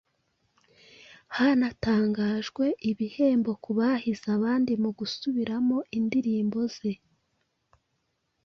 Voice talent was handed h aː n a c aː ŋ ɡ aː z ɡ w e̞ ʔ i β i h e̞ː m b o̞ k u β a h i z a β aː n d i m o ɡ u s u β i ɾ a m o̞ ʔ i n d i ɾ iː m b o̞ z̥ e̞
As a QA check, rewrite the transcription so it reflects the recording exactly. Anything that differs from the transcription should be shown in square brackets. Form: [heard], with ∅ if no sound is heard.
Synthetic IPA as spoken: h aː n a [t] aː ŋ ɡ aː [ʒ] ɡ w e̞ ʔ i β i h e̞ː m b o̞ k u β a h i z a β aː n d i m [u] ɡ u s u β i ɾ a m o̞ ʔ i n d i ɾ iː m b o̞ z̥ e̞